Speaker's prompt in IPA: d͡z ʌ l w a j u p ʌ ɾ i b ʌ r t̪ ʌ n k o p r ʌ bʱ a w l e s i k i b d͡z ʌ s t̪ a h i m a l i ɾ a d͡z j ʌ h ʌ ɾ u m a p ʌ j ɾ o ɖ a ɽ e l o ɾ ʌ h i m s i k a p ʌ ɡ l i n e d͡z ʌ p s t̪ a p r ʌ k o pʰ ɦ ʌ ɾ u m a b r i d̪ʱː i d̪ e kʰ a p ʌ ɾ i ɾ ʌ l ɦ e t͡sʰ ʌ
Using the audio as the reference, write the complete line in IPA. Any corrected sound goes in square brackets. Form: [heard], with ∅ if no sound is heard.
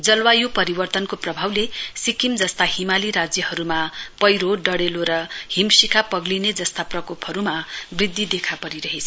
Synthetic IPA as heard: d͡z ʌ l w a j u p ʌ ɾ i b ʌ r t̪ ʌ n k o p r ʌ bʱ a w l e s i k i [m] d͡z ʌ s t̪ a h i m a l i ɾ a d͡z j ʌ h ʌ ɾ u m a p ʌ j ɾ o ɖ [ʌ] ɽ e l o ɾ ʌ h i m s i k a p ʌ ɡ l i n e d͡z ʌ [∅] s t̪ a p r ʌ k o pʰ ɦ ʌ ɾ u m a b r i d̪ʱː i d̪ e kʰ a p ʌ ɾ i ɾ ʌ [∅] ɦ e t͡sʰ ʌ